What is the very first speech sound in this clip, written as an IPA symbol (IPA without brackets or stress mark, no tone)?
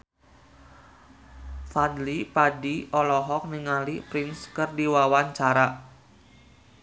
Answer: f